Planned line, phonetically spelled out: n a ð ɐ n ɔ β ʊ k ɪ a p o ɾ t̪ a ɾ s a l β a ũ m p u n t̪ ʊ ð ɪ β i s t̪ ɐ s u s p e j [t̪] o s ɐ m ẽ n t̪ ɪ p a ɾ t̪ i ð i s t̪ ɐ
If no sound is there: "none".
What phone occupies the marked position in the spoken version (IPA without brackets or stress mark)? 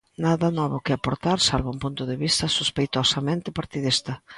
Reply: t̪